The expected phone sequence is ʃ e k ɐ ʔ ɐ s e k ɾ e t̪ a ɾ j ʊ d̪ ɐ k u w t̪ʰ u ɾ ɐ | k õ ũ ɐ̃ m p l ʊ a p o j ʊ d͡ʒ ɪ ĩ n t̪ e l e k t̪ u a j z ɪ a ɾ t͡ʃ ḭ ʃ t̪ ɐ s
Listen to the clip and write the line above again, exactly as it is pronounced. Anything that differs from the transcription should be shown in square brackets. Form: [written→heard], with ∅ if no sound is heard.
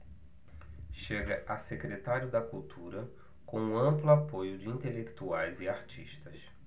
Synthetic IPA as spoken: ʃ e [k→ɡ] ɐ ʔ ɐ s e k ɾ e t̪ a ɾ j ʊ d̪ ɐ k u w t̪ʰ u ɾ ɐ | k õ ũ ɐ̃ m p l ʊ a p o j ʊ d͡ʒ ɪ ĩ n t̪ e l e k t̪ u a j z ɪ a ɾ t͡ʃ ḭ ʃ t̪ ɐ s